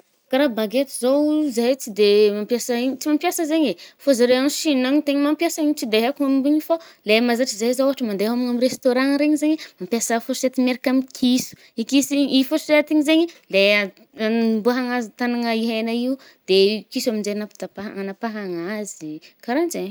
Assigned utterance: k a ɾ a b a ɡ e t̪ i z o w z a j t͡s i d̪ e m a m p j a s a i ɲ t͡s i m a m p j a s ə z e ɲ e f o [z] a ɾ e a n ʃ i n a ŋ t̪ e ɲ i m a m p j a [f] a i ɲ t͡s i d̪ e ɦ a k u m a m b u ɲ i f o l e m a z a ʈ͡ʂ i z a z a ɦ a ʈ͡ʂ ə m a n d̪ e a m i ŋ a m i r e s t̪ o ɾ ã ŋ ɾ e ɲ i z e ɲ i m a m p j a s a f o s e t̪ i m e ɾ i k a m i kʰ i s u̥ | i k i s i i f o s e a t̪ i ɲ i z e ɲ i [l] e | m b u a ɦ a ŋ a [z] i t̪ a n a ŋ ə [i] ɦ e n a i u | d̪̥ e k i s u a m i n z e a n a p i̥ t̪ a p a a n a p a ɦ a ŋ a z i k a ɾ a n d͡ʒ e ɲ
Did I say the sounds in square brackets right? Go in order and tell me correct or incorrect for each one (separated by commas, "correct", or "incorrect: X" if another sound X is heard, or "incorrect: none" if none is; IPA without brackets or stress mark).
correct, incorrect: s, correct, correct, correct